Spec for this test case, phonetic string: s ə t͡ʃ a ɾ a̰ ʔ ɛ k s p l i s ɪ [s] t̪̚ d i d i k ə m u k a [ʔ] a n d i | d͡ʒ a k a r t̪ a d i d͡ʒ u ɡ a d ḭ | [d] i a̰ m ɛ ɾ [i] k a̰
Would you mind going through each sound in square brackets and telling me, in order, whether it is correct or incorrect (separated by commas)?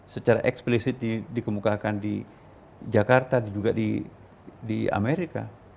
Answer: incorrect, incorrect, correct, correct